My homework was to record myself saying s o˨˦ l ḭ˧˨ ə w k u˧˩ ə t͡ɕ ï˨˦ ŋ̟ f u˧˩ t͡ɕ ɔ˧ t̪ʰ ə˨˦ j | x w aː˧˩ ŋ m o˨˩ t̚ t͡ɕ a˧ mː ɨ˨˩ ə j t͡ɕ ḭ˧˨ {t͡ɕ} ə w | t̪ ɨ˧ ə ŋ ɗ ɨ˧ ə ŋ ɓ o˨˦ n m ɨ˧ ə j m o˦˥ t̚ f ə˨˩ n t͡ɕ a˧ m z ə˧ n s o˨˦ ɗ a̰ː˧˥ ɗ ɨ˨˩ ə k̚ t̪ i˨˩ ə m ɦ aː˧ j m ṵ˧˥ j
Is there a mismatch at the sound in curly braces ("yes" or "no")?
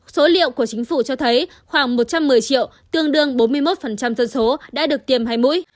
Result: yes